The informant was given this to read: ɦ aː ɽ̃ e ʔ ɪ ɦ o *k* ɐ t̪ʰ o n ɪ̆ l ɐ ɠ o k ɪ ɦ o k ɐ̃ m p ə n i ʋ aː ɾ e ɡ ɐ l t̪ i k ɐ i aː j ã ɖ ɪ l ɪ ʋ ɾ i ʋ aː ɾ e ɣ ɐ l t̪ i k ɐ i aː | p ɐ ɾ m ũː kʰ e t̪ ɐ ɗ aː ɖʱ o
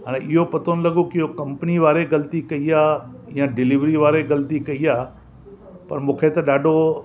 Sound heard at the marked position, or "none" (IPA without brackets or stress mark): p